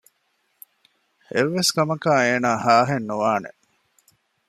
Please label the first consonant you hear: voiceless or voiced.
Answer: voiced